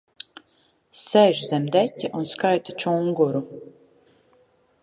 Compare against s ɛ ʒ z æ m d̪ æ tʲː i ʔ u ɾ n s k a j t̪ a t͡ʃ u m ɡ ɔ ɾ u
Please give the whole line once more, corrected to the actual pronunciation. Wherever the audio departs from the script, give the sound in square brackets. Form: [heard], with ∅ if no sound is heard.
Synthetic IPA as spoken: s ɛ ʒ z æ m d̪ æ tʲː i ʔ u [∅] n s k a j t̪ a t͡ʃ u [ŋ] ɡ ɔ ɾ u